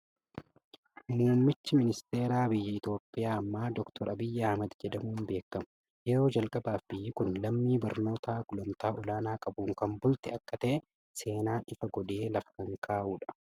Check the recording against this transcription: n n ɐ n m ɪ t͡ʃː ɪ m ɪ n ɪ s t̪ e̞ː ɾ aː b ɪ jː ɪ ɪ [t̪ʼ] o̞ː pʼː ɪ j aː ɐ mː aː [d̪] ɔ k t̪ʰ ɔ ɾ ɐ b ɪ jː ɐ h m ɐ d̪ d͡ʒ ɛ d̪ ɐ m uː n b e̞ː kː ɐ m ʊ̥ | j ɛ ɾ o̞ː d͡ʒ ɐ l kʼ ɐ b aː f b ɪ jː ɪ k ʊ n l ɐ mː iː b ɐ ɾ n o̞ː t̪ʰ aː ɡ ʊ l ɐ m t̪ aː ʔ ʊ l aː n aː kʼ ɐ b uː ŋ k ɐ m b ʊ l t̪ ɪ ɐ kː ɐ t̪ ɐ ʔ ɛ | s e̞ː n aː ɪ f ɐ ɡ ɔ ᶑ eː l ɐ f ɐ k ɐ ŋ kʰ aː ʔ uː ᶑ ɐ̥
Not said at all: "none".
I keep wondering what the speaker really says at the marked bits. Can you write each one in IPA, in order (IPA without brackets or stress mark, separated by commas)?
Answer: t̪, d̪